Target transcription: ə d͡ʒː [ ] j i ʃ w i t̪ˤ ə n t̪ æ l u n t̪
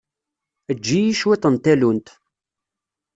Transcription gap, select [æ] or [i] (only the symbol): i